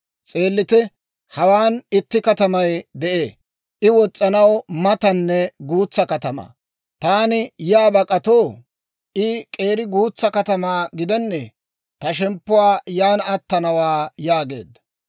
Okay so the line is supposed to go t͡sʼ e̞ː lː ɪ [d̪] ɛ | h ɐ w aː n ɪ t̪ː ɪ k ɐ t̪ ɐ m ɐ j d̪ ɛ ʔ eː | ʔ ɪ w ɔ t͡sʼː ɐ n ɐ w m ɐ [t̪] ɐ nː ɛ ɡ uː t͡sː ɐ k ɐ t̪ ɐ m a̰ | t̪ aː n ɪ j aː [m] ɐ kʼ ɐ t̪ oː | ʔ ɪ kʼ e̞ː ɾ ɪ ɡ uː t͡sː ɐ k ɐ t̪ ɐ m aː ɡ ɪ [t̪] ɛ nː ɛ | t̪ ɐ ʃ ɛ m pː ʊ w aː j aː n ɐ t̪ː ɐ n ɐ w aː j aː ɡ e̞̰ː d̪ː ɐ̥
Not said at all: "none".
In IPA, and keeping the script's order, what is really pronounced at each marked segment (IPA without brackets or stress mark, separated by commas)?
t̪, t̪, b, d̪